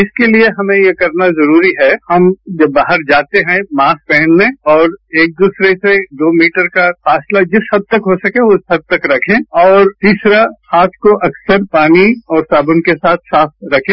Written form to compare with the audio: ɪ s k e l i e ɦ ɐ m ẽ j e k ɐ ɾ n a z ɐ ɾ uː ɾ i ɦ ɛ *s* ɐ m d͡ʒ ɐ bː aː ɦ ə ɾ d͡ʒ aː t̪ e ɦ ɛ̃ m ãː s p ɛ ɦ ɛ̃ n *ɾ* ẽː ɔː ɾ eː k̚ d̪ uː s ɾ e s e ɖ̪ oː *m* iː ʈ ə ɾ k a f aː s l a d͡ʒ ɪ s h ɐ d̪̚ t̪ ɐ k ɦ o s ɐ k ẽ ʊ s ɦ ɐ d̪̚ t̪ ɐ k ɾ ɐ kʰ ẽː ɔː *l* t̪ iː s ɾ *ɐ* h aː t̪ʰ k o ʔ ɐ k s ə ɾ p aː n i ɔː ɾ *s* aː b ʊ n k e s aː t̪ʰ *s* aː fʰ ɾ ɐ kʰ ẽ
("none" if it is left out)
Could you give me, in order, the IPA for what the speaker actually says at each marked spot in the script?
h, l, m, ɾ, a, s, s

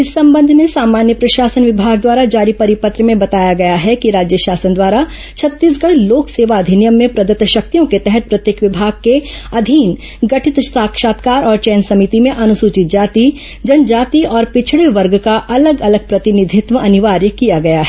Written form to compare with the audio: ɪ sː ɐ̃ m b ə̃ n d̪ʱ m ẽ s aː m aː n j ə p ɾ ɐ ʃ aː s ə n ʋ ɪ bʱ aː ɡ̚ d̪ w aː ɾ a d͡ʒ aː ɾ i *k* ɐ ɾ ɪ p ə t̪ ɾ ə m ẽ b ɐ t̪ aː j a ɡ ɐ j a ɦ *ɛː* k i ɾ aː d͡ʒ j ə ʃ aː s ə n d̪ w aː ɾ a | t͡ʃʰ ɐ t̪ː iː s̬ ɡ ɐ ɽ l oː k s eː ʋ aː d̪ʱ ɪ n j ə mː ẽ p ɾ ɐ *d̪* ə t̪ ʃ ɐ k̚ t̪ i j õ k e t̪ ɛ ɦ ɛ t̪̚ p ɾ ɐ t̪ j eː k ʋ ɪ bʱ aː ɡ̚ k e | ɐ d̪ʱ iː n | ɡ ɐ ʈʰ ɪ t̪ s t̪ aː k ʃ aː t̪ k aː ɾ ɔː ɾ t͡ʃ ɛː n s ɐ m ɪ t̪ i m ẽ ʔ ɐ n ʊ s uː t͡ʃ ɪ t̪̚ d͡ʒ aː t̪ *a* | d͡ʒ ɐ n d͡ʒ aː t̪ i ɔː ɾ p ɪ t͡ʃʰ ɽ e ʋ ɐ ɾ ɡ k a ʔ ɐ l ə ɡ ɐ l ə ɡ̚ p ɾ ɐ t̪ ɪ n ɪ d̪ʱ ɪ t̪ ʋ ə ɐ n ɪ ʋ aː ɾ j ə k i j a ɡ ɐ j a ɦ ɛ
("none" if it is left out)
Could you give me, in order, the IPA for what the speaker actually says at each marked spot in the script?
p, ɛ, d̪, i

